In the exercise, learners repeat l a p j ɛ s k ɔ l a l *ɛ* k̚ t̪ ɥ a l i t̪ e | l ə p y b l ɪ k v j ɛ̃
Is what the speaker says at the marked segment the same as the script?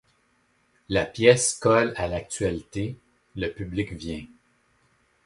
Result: no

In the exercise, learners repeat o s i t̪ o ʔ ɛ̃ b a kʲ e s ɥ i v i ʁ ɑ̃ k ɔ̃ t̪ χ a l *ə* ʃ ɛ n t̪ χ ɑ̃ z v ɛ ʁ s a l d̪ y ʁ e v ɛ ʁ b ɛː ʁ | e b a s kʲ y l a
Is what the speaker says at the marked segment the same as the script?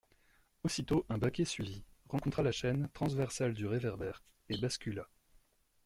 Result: no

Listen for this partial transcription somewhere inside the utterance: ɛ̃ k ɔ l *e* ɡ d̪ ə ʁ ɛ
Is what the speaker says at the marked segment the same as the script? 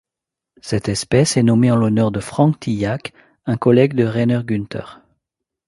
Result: no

